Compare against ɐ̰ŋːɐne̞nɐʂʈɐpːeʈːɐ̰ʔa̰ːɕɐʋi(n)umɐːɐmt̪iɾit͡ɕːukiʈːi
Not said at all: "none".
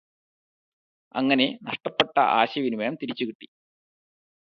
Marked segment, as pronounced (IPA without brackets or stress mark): n